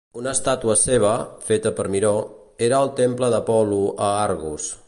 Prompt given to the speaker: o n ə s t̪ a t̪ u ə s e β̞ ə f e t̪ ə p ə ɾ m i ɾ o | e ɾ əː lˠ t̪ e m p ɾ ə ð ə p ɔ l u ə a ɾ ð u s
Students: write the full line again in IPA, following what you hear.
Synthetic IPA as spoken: u n ə s t̪ a t̪ u ə s e β̞ ə f e t̪ ə p ə ɾ m i ɾ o | e ɾ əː lˠ t̪ e m p l ə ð ə p ɔ l u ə a ɾ ɣ u s